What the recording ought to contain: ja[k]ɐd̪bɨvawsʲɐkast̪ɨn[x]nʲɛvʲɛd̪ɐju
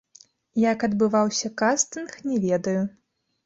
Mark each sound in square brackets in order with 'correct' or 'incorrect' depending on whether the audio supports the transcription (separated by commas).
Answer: correct, correct